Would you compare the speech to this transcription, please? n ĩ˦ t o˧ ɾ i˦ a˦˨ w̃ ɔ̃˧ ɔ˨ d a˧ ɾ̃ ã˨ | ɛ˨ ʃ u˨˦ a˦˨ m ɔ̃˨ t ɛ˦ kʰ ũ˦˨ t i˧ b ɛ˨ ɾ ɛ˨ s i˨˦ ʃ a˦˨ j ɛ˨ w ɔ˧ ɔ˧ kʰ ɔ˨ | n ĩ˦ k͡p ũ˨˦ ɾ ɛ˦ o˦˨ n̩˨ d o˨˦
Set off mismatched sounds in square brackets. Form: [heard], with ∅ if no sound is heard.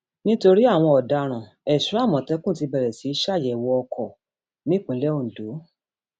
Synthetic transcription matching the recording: n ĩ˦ t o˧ ɾ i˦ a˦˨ w̃ ɔ̃˧ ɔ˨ d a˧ ɾ̃ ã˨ | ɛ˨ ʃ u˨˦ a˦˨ m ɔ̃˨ t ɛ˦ [k] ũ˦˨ t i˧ b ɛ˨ ɾ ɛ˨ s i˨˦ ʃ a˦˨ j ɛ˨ w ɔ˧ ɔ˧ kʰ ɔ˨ | n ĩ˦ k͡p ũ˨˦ [l] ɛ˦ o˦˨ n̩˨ d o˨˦